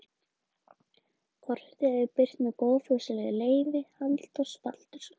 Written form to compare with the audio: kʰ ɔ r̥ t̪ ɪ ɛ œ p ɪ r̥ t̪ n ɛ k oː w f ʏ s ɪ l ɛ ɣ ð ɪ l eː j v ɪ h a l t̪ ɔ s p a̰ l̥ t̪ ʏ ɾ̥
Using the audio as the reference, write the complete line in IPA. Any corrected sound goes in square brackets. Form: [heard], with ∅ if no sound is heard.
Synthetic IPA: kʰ ɔ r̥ t̪ ɪ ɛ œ p ɪ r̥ t̪ n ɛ k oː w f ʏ s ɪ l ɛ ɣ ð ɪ l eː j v ɪ h a l t̪ ɔ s p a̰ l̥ t̪ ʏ ɾ̥